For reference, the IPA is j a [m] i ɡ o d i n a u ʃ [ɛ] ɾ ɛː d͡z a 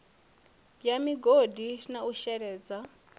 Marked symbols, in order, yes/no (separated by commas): yes, yes